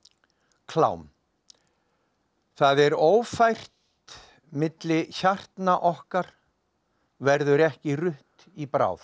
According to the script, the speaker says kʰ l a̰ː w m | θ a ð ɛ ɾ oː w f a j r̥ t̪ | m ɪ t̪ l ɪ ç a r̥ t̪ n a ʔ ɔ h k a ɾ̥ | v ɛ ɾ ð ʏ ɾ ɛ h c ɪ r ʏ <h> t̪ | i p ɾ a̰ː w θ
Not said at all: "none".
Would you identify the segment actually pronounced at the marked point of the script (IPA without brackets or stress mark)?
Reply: h